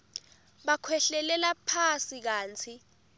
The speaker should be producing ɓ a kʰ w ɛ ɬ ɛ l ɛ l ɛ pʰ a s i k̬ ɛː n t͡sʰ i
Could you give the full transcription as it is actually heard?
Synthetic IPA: ɓ a kʰ w ɛ ɬ ɛ l ɛ l a pʰ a s i k̬ aː n t͡sʰ i